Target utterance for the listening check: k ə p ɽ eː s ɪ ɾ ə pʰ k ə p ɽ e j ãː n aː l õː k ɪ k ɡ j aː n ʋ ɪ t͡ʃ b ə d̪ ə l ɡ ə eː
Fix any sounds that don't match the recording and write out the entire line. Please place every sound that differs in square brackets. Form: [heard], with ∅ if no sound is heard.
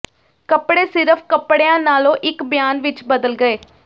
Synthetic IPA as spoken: k ə p ɽ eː s ɪ ɾ ə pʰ k ə p ɽ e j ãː n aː l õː [ʔ] ɪ k [b] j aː n ʋ ɪ t͡ʃ b ə d̪ ə l ɡ ə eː